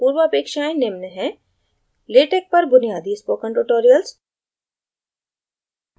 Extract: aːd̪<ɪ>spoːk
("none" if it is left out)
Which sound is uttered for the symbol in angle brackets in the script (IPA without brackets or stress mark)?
i